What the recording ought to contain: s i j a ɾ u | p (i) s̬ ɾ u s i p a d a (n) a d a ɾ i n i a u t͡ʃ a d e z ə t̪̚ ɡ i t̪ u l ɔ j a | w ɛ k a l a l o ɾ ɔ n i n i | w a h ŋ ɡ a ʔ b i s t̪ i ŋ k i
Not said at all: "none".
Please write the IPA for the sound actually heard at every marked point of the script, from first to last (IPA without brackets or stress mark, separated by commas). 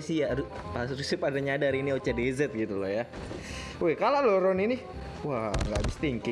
a, ɲ